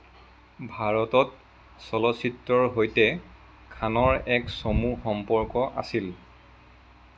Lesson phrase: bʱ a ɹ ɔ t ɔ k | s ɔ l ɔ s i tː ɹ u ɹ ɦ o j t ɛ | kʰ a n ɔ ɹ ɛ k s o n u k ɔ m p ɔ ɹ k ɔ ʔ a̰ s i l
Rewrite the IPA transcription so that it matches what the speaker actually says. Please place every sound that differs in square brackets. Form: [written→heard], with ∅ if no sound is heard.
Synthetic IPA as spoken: bʱ a ɹ ɔ t ɔ [k→t] | s ɔ l ɔ s i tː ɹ [u→ɔ] ɹ ɦ o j t ɛ | kʰ a n ɔ ɹ ɛ k s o [n→m] u [k→x] ɔ m p ɔ ɹ k ɔ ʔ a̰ s i l

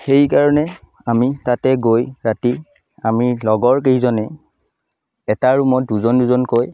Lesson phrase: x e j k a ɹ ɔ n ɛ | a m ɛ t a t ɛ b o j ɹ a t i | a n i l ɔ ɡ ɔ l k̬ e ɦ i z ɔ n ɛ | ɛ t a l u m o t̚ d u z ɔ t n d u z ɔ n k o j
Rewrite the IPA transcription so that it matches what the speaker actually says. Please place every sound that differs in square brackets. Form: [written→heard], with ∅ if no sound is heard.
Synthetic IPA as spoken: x e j k a ɹ ɔ n ɛ | a m [ɛ→i] t a t ɛ [b→ɡ] o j ɹ a t i | a [n→m] i l ɔ ɡ ɔ [l→ɹ] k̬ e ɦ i z ɔ n ɛ | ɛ t a [l→ɹ] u m [o→ɔ] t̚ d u z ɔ [t→∅] n d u z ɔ n k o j

